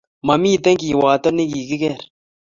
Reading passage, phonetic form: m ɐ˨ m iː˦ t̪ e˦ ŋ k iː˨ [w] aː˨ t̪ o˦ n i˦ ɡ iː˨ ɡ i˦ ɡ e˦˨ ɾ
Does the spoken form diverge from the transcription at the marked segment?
no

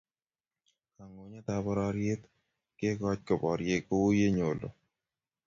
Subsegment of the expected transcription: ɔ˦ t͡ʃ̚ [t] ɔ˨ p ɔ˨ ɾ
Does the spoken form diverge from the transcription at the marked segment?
yes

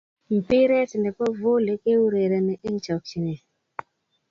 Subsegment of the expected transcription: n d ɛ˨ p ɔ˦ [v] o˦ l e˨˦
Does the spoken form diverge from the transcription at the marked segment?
no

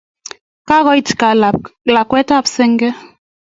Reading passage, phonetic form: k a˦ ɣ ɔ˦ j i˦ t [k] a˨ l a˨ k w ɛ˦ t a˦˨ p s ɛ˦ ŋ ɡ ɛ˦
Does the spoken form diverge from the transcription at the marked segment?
no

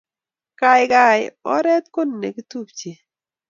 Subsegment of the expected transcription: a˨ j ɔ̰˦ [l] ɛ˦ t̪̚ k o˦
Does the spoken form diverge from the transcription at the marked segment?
yes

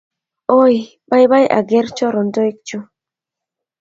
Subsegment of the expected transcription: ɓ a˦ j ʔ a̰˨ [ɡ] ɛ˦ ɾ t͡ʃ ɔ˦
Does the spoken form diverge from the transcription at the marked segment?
no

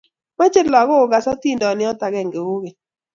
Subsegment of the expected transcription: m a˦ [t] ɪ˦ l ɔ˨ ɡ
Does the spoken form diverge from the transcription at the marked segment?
yes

